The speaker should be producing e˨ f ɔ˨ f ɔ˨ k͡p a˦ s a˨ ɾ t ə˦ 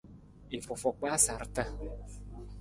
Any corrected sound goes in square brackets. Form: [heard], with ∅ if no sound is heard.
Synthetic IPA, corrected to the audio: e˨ f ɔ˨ f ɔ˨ k͡p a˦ s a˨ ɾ t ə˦